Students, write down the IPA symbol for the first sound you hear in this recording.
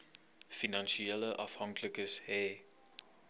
f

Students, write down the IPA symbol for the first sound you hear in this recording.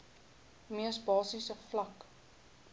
m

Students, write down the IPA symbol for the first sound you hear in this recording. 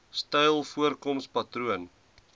s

